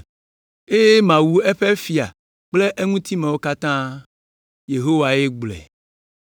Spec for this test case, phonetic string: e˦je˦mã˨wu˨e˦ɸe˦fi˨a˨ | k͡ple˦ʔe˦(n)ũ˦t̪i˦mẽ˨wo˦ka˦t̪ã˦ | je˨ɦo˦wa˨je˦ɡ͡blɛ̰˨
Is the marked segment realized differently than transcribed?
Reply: yes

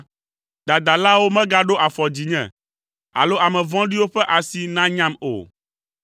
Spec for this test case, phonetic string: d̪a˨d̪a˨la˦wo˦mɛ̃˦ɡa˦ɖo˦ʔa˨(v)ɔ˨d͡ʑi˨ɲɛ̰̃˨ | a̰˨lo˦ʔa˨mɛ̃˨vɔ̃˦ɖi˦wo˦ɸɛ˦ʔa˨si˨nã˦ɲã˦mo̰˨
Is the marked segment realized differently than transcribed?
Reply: yes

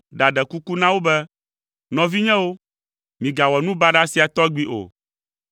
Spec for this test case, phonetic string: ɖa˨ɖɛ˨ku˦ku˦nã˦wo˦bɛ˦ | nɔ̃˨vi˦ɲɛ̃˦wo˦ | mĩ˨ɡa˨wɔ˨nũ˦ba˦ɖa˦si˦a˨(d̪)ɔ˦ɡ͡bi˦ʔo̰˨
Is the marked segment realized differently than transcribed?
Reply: yes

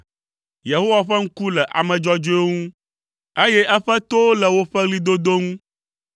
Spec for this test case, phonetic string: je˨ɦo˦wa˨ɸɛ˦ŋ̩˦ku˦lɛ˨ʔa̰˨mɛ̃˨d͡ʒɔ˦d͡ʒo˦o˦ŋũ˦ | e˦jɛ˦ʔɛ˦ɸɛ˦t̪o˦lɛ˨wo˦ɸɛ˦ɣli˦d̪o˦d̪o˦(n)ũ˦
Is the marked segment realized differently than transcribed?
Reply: yes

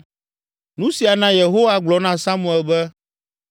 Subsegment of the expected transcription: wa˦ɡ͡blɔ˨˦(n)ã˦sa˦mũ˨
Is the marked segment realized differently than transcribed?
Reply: no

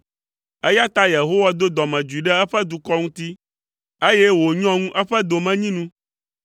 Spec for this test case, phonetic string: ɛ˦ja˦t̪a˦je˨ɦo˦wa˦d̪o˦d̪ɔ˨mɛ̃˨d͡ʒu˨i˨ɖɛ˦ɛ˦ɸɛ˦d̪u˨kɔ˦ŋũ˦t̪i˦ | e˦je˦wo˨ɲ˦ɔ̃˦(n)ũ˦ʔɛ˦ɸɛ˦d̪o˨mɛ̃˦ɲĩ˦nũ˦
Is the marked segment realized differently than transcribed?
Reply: yes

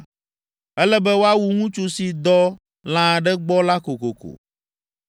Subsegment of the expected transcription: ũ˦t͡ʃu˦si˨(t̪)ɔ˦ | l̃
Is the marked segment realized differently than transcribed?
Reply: yes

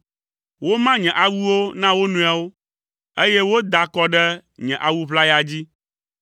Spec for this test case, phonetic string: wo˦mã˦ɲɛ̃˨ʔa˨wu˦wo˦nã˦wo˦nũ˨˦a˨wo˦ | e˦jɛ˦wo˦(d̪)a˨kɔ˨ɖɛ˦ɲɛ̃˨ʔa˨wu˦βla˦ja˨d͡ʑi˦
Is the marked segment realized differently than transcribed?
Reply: no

